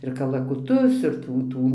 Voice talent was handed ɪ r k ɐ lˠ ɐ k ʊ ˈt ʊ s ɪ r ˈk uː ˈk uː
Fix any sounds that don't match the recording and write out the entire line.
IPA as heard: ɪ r k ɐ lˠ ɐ k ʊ ˈt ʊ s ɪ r ˈt uː ˈt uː